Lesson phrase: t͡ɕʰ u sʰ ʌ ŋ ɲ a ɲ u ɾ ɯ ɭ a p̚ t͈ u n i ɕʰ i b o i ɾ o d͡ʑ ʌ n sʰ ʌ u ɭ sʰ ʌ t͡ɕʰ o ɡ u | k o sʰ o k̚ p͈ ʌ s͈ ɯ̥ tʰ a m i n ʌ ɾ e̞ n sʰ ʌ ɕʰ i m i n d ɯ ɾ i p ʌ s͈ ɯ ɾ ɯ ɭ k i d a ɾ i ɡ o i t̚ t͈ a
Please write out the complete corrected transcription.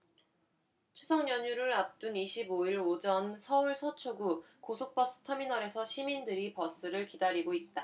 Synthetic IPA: t͡ɕʰ u sʰ ʌ ŋ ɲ ʌ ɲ u ɾ ɯ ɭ a p̚ t͈ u n i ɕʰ i b o i ɾ o d͡ʑ ʌ n sʰ ʌ u ɭ sʰ ʌ t͡ɕʰ o ɡ u | k o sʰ o k̚ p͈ ʌ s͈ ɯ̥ tʰ ʌ m i n ʌ ɾ e̞ sʰ ʌ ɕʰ i m i n d ɯ ɾ i p ʌ s͈ ɯ ɾ ɯ ɭ k i d a ɾ i ɡ o i t̚ t͈ a